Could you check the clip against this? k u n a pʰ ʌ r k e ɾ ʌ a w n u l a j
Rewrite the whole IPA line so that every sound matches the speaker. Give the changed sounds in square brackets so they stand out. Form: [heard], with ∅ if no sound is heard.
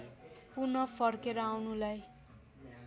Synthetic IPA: [p] u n [ʌ] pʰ ʌ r k e ɾ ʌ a w n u l a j

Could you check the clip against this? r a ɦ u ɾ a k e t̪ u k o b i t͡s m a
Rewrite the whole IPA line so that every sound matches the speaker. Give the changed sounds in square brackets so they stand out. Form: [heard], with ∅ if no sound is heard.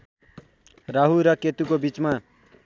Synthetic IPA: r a ɦ u ɾ [ʌ] k e t̪ u k o b i t͡s m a

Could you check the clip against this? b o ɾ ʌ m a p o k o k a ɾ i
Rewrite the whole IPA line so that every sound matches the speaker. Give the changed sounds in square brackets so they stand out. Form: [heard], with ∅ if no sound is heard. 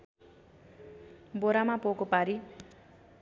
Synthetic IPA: b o ɾ [a] m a p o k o [p] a ɾ i

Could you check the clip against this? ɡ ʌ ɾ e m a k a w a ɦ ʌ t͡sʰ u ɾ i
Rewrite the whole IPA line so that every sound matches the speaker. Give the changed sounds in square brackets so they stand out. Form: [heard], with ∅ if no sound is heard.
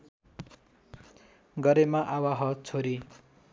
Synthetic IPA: ɡ ʌ ɾ e m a [ʔ] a w a ɦ ʌ t͡sʰ [o] ɾ i

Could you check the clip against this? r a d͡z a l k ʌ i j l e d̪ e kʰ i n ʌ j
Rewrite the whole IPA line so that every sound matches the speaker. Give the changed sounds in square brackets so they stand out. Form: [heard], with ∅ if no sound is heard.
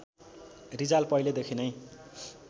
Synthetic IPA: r [i] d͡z a l [p] ʌ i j l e d̪ e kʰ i n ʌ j

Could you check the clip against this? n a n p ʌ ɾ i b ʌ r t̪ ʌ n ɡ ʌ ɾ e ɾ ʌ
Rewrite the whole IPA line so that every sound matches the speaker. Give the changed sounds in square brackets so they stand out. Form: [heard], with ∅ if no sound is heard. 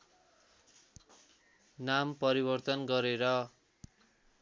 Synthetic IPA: n a [m] p ʌ ɾ i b ʌ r t̪ ʌ n ɡ ʌ ɾ e ɾ ʌ

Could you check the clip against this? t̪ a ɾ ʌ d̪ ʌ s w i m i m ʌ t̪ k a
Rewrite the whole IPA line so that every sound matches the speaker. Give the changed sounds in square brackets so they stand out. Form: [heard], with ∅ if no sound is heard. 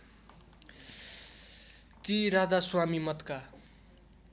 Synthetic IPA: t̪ [i] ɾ [a] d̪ [a] s w [a] m i m ʌ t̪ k a

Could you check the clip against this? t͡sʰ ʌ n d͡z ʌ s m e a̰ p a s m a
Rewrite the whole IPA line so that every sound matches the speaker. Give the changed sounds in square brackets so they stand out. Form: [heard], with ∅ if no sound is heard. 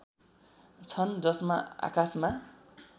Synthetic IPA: t͡sʰ ʌ n d͡z ʌ s m [a] a̰ [k] a s m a

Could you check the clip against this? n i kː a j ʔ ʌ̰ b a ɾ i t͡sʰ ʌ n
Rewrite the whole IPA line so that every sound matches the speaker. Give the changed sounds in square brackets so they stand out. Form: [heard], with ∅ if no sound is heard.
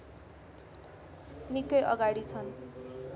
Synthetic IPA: n i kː [ʌ] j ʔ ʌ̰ [ɡ] a [ɽ] i t͡sʰ ʌ n

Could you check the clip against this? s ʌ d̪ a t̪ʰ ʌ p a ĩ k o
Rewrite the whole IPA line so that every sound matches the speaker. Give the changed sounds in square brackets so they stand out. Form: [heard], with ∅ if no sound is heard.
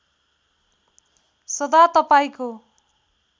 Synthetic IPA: s ʌ d̪ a [t̪] ʌ p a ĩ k o

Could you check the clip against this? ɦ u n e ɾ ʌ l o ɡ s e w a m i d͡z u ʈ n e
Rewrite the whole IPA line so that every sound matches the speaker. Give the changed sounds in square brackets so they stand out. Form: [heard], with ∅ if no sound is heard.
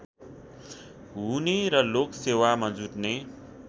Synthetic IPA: ɦ u n e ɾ ʌ l o [k] s e w a m [a] d͡z u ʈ n e

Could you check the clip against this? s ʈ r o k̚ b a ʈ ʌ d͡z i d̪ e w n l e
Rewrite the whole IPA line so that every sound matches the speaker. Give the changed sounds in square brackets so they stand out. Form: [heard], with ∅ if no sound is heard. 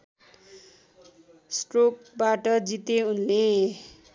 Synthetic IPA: s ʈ r o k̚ b a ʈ ʌ d͡z i [t̪] e [u] n l e

